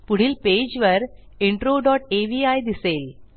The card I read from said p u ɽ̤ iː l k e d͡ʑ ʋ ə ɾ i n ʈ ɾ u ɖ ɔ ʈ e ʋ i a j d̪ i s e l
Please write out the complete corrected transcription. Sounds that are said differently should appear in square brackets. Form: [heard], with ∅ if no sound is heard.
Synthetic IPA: p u ɽ̤ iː l [p] e d͡ʑ ʋ ə ɾ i [ɳ] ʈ ɾ [o] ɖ ɔ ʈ e ʋ i a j d̪ i s e l